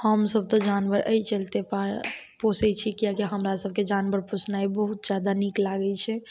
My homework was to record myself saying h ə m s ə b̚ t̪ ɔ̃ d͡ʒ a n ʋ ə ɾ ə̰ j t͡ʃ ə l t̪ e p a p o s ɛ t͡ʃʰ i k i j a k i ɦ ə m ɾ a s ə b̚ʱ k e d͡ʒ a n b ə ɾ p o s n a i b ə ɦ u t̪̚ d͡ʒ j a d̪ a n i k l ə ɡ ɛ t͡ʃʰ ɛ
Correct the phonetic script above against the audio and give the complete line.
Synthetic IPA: h ə m s ə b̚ t̪ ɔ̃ d͡ʒ a n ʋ ə ɾ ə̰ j t͡ʃ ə l t̪ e p a p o s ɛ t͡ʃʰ i k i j a k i ɦ ə m ɾ a s ə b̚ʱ k e d͡ʒ a n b ə ɾ p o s n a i b ə ɦ u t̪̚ d͡ʒ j a d̪ a n i k l a ɡ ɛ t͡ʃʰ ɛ